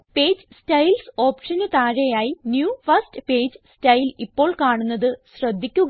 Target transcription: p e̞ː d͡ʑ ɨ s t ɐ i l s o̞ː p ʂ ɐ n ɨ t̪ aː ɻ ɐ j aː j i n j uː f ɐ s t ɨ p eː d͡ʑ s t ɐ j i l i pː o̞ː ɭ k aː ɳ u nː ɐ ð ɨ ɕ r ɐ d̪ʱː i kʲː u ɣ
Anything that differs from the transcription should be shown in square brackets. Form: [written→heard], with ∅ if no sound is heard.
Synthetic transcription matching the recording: p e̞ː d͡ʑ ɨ s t ɐ [i→j] l s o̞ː p ʂ ɐ n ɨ t̪ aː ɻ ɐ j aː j i n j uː f ɐ s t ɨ p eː d͡ʑ s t ɐ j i l i pː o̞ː ɭ k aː ɳ u nː ɐ ð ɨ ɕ r ɐ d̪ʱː i kʲː u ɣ